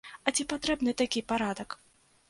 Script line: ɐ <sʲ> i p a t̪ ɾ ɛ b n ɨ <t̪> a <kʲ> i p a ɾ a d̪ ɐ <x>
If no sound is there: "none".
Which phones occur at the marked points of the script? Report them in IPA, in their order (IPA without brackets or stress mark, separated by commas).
t͡sʲ, t̪, kʲ, k